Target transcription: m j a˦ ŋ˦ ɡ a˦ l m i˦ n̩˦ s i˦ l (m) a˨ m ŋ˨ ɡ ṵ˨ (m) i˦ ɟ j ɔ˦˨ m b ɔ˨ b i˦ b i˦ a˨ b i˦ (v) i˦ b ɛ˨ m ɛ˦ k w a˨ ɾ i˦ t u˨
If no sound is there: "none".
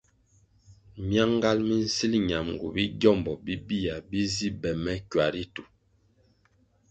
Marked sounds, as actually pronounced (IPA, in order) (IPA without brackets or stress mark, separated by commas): ɲ, b, z